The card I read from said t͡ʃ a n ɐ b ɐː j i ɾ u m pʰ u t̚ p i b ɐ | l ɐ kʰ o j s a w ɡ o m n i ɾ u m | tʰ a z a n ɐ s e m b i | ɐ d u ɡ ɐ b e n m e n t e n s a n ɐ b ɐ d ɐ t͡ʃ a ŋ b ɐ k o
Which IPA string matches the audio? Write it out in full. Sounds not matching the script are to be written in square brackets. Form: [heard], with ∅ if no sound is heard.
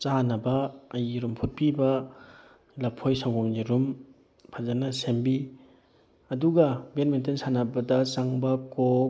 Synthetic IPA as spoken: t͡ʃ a n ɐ b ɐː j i ɾ u m pʰ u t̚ p i b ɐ | l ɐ [pʰ] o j s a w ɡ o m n i ɾ u m | [pʰ] a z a n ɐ s e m b i | ɐ d u ɡ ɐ b e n m e n t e n s a n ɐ b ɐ d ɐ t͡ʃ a ŋ b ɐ k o